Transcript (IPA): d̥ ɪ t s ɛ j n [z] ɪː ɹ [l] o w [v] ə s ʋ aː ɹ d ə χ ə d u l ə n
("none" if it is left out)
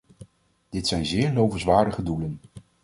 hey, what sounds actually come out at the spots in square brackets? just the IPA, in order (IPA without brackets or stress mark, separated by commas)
z, l, v